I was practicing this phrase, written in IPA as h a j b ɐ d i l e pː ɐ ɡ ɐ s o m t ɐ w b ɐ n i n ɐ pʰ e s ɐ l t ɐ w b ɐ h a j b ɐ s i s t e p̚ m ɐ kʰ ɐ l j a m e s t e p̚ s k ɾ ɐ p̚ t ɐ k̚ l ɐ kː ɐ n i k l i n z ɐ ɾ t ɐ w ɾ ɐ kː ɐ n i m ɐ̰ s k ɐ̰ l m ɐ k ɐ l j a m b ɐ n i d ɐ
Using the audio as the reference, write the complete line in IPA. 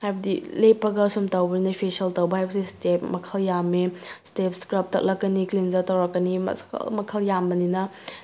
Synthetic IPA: h a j b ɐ d i l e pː ɐ ɡ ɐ s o m t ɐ w b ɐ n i n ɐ pʰ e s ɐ l t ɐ w b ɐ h a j b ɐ s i s t e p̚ m ɐ kʰ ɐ l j a m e s t e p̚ s k ɾ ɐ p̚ t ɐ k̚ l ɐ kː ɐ n i k l i n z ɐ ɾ t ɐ w ɾ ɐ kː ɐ n i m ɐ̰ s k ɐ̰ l m ɐ kʰ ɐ l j a m b ɐ n i n ɐ